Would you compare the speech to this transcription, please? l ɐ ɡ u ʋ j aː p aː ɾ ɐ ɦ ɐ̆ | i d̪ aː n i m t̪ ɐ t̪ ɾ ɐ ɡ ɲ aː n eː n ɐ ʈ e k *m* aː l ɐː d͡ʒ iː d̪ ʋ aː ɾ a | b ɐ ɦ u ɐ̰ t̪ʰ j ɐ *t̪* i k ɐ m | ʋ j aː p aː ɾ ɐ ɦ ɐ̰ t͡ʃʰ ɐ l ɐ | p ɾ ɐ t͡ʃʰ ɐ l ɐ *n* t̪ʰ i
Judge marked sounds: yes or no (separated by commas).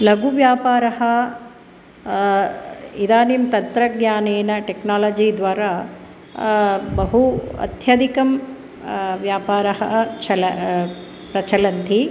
no, no, yes